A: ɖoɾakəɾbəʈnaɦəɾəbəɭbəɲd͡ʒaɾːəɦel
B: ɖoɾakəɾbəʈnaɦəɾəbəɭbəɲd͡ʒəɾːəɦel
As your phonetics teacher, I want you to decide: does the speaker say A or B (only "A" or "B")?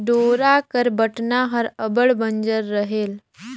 B